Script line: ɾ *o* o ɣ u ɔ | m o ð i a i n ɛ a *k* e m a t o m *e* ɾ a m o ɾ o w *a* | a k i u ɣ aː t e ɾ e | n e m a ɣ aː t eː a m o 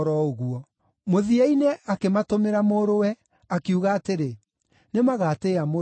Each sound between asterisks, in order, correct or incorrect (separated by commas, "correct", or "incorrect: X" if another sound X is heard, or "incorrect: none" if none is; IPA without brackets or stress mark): incorrect: ɔ, correct, correct, incorrect: ɛ